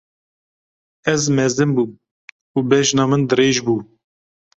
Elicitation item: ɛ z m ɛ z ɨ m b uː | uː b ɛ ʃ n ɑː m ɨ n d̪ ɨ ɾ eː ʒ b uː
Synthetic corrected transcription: ɛ z m ɛ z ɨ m b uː | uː b ɛ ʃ n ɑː m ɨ n d̪ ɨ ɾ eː ʒ b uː